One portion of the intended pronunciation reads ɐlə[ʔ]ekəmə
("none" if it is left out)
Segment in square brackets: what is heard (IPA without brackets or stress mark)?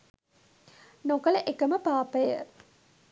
ʔ